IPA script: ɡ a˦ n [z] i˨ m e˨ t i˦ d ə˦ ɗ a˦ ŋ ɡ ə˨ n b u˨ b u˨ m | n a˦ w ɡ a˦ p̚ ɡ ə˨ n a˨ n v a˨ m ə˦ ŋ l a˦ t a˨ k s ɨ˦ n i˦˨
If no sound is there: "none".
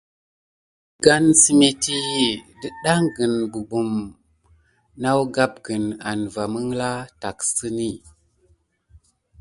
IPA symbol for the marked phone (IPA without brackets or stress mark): s